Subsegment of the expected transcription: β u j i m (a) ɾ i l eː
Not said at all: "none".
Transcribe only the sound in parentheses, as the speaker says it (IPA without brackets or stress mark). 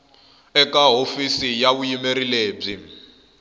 e